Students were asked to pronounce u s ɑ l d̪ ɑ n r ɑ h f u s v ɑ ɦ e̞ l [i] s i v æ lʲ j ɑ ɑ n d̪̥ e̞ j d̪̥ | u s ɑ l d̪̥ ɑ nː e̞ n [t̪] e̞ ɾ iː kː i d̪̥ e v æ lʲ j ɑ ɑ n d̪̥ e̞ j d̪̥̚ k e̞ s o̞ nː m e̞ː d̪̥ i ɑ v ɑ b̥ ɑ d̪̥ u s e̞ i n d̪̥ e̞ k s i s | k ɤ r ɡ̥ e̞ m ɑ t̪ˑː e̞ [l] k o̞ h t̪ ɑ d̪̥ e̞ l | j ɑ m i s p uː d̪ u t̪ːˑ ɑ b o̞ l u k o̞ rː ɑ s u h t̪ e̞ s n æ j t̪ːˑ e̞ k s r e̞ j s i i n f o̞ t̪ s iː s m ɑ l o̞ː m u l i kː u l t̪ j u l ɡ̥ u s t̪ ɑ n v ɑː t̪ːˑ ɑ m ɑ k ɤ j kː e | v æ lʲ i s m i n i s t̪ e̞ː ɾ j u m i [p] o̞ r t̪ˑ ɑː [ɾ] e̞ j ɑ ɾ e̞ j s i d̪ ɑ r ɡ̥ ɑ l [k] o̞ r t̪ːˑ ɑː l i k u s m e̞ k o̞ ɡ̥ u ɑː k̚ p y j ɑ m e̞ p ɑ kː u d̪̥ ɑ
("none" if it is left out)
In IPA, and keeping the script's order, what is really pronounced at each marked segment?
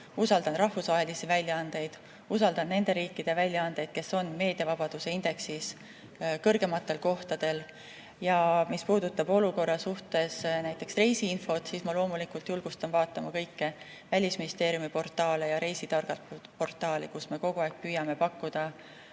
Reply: i, d̪, l, p, l, p

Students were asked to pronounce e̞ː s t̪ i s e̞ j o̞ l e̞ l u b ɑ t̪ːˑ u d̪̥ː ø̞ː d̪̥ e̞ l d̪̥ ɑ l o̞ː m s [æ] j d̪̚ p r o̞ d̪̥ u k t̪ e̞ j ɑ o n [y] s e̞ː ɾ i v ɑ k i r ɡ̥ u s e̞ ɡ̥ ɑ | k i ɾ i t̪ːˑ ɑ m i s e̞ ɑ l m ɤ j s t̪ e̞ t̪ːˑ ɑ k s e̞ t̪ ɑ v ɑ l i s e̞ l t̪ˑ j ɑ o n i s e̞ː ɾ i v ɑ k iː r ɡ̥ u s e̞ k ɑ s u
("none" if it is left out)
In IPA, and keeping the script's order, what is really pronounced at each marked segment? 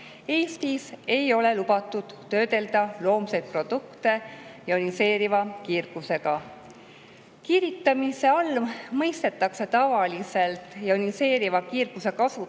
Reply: e, i

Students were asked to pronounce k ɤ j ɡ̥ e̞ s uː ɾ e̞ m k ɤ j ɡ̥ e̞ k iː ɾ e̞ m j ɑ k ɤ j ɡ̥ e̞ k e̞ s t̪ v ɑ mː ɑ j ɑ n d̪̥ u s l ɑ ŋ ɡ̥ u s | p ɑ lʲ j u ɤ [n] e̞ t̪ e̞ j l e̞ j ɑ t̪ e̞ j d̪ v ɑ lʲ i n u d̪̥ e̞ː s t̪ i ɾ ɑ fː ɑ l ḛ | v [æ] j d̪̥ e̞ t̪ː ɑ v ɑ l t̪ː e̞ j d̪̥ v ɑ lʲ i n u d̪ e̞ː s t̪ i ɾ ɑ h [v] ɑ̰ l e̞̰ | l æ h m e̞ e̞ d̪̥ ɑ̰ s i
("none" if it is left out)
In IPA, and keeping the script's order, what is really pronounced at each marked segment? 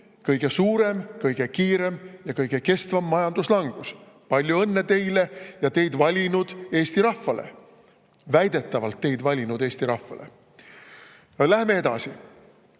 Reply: nː, æ, f

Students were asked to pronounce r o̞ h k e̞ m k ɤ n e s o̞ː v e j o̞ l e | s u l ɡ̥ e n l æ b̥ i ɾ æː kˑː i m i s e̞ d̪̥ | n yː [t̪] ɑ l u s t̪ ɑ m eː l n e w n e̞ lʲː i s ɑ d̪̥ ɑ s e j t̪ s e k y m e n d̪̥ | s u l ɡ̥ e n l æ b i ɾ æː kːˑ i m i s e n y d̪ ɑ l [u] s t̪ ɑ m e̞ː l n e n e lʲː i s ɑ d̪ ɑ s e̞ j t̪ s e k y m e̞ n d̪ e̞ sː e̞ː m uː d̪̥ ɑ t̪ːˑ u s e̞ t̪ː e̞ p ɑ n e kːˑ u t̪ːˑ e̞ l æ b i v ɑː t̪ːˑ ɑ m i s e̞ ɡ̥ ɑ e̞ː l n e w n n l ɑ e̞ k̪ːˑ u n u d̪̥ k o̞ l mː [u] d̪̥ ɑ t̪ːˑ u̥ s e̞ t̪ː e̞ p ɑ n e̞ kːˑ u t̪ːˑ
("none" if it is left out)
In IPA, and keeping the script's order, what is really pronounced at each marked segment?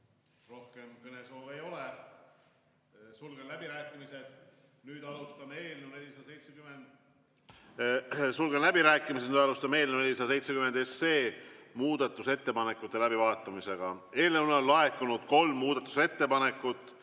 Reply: d̪, u, uː

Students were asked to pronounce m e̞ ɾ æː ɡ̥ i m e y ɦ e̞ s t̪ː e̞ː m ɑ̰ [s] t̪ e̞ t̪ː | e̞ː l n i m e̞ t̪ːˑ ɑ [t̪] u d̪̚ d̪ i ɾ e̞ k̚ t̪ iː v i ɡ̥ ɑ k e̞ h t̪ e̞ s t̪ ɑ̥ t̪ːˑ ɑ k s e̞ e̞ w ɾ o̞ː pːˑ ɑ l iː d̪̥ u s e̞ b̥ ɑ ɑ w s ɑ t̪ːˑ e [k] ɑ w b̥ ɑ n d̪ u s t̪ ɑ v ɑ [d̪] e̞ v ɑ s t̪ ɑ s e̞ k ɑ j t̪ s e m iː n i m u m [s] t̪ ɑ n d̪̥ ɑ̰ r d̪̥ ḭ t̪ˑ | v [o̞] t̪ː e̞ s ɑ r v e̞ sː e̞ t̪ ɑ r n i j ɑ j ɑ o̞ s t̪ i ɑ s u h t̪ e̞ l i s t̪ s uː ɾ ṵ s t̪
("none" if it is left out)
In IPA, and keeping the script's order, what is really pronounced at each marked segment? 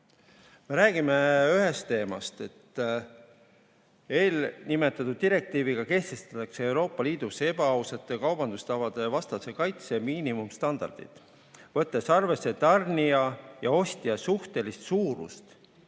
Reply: s, t̪, k, d̪, s, ɤ̞

